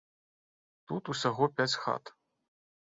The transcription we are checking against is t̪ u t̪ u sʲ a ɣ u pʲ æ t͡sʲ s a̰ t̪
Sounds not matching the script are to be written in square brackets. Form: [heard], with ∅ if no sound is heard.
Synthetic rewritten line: t̪ u t̪ u sʲ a ɣ [ɔ] pʲ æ t͡sʲ [x] a̰ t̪